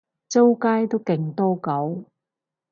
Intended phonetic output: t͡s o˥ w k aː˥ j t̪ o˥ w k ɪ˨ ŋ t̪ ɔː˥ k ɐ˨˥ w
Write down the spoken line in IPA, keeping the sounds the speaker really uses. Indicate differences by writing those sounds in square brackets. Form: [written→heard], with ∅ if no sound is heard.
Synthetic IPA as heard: t͡s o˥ w k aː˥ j t̪ o˥ w k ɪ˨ ŋ t̪ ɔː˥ k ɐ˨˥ w